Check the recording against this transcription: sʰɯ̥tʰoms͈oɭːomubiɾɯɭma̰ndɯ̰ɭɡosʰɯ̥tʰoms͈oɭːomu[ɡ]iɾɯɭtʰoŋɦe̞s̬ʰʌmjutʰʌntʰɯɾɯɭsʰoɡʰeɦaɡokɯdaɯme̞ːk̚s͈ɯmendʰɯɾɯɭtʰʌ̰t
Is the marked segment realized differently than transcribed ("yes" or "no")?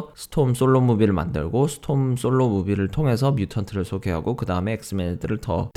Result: yes